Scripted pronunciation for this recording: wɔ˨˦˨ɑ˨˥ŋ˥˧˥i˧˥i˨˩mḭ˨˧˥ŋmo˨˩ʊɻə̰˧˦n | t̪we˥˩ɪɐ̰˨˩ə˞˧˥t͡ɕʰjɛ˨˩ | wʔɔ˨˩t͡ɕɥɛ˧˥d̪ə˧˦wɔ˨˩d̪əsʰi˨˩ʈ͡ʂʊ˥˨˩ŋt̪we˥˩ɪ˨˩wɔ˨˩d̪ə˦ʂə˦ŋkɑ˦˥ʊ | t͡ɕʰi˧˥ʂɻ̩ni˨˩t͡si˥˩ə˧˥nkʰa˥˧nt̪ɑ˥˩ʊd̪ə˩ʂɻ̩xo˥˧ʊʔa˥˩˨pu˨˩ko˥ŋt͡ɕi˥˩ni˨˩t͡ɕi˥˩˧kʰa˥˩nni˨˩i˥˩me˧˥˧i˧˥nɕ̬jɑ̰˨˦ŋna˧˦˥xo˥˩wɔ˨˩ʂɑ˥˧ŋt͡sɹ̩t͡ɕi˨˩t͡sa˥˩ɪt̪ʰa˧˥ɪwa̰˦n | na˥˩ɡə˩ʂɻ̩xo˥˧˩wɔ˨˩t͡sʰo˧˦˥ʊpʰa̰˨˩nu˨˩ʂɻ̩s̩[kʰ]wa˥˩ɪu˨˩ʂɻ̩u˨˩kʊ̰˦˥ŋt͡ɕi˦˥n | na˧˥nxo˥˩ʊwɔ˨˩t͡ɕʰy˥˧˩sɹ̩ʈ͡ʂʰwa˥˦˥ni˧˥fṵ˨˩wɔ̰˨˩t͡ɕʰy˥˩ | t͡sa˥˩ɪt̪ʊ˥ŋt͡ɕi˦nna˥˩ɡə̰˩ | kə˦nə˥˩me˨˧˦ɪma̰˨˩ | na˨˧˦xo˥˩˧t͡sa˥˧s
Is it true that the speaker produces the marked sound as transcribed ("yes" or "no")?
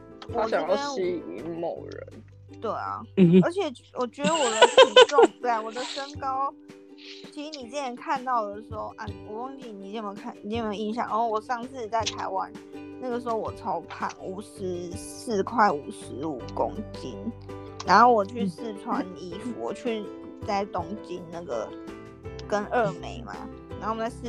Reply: yes